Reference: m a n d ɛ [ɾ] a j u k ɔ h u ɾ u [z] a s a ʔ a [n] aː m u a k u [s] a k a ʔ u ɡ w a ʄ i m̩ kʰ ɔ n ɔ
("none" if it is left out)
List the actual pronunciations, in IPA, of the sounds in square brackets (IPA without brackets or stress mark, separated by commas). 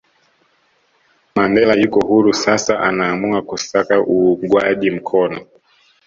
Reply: l, s, n, s